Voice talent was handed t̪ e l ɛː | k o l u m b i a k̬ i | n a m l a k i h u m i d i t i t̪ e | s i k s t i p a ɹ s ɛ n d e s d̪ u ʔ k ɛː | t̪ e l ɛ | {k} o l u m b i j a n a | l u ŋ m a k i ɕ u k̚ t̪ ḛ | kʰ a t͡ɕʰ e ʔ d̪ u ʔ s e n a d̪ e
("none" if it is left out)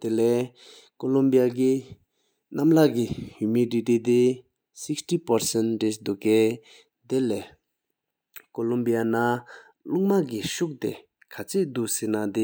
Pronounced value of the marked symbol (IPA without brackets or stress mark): k